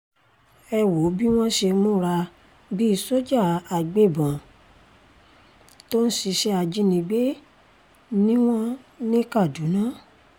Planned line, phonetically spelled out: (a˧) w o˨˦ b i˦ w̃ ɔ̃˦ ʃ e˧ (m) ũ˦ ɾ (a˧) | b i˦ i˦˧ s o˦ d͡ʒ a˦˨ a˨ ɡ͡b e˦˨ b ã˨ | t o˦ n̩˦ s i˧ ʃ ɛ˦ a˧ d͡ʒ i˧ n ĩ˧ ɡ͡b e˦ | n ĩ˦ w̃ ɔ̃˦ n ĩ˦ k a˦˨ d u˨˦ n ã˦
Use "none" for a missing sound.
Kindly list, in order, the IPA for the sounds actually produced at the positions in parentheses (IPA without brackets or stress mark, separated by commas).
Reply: ɛ˧, m, a˧